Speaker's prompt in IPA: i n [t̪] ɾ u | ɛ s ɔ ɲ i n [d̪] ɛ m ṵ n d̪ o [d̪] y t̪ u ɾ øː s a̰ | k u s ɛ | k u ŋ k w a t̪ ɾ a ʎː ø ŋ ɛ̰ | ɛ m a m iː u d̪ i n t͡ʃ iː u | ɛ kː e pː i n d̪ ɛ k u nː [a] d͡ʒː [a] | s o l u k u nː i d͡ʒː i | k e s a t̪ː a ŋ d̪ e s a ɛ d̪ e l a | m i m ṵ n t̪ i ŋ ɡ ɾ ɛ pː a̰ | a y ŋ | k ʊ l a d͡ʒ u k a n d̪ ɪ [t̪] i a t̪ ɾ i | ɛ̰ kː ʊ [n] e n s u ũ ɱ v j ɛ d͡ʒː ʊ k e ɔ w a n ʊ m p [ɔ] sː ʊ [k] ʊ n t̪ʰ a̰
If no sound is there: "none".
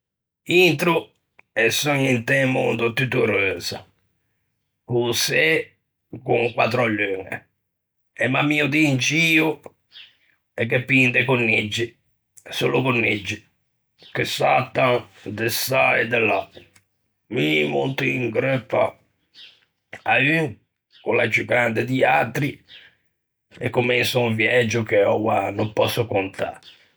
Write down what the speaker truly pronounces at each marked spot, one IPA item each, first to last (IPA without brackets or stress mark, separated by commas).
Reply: t̪, t̪, t̪, i, i, d̪, m, ɔ, k